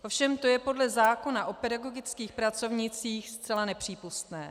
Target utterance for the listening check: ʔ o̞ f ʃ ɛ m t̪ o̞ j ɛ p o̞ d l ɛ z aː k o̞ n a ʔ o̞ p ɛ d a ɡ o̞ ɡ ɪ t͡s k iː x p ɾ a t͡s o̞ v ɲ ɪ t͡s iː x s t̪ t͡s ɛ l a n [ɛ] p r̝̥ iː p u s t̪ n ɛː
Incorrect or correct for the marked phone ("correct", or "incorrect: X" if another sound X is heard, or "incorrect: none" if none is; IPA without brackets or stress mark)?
correct